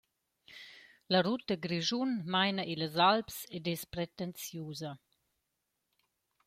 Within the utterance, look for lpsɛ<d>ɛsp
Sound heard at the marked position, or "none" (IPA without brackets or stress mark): d